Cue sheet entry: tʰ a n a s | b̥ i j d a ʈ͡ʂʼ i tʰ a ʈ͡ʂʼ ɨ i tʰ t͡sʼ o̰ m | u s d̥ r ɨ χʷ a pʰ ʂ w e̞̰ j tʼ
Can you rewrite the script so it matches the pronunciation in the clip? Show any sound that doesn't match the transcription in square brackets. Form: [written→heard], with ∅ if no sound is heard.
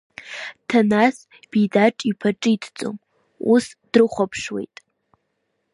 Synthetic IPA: tʰ a n a s | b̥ i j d a ʈ͡ʂʼ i [tʰ→pʰ] a ʈ͡ʂʼ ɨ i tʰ t͡sʼ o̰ m | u s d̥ r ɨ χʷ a pʰ ʂ w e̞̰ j tʼ

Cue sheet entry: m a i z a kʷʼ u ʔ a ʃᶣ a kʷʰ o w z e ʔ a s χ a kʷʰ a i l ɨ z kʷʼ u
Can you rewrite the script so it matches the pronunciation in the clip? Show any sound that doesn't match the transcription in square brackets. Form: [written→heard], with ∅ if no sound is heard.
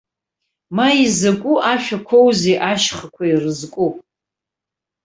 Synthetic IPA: m a i z a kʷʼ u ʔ a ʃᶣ a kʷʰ o w z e ʔ a [s→ʃ] χ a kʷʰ a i [l→r] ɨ z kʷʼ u

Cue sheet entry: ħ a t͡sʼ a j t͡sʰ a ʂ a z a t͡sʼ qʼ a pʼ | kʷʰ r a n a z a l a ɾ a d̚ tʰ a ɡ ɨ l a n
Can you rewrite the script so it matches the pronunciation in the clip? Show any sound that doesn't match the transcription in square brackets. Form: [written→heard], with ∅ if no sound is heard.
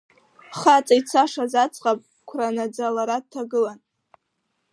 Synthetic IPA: [ħ→χ] a t͡sʼ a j t͡sʰ a ʂ a z a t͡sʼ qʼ a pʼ | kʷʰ r a n a [z→d͡z] a l a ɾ a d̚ tʰ a ɡ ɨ l a n

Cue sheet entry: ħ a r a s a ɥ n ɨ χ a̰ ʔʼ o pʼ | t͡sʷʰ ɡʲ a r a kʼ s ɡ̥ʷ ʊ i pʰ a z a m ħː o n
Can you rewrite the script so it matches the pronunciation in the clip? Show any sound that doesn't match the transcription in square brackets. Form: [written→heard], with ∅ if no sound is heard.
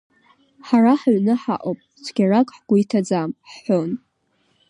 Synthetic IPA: ħ a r a [s→ħ] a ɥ n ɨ [χ→ħ] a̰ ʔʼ o pʼ | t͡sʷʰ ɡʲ a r a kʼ [s→ħ] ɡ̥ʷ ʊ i [pʰ→tʰ] a [z→d͡z] a m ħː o n

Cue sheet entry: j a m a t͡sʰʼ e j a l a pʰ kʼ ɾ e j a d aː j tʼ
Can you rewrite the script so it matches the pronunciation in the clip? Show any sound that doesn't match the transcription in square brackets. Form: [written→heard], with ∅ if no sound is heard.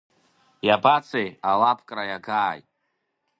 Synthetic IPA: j a [m→b] a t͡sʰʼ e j a l a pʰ kʼ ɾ [e→a] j a [d→ɡ] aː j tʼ

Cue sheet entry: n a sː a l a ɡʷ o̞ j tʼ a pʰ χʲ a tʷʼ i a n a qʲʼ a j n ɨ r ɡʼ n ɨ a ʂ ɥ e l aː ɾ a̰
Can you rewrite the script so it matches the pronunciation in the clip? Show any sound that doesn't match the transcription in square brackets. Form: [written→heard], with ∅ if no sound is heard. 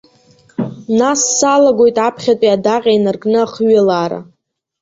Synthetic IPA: n a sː a l a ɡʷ o̞ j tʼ a pʰ χʲ a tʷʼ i a [n→d] a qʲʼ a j n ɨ r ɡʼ n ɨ a [ʂ→χ] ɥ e l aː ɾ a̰

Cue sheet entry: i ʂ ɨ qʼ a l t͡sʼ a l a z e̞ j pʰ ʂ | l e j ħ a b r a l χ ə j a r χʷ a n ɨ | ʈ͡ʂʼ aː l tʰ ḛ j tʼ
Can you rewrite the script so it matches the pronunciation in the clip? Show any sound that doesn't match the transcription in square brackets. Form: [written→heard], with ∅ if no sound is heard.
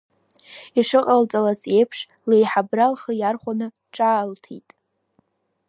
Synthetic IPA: i ʂ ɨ qʼ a l t͡sʼ a l a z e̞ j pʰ ʂ | l e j ħ a b r a l χ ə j a r χʷ a n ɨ | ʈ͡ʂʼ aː l tʰ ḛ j tʼ

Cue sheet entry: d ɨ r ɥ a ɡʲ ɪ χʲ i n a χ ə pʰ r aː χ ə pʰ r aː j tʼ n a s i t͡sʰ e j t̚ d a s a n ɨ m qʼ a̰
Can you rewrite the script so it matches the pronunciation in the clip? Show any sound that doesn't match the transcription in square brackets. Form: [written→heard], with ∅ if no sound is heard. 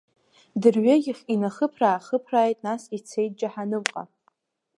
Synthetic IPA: d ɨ r ɥ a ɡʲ ɪ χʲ i n a χ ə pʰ r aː χ ə pʰ r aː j tʼ n a s i t͡sʰ e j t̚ [d→d͡ʒ] a [s→ħ] a n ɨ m qʼ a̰

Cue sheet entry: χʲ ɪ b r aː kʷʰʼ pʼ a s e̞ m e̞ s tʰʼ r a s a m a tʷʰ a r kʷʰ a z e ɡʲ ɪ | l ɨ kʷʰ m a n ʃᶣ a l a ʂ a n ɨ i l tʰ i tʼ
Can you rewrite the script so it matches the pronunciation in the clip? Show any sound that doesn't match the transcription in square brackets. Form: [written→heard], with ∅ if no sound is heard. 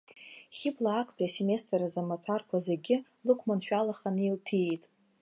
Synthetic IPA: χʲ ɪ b [r→l] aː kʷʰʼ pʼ a s e̞ m e̞ s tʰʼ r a [s→z] a m a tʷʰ a r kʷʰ a z e ɡʲ ɪ | l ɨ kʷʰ m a n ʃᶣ a l a [ʂ→χ] a n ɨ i l tʰ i tʼ

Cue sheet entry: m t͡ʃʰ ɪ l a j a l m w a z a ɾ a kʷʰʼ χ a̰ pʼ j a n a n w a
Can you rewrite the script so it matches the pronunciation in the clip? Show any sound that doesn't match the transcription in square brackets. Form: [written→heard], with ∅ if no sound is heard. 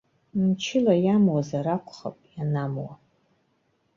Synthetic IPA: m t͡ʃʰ ɪ l a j a [l→∅] m w a z a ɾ a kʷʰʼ χ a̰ pʼ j a n a [n→m] w a

